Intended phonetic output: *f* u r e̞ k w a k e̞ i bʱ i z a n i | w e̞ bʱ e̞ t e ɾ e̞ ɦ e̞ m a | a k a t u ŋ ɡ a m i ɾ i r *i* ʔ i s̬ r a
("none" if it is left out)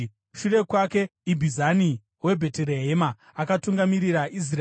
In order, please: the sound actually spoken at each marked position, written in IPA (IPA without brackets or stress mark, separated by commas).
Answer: ʃ, a